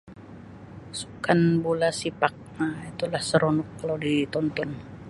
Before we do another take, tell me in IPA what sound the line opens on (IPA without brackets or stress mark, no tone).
s